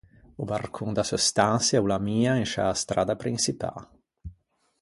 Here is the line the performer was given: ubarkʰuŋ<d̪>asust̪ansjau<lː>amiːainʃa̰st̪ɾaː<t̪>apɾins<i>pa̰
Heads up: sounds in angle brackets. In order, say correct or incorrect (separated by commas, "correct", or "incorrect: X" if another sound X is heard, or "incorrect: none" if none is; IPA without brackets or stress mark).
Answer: correct, incorrect: l, incorrect: d̪, correct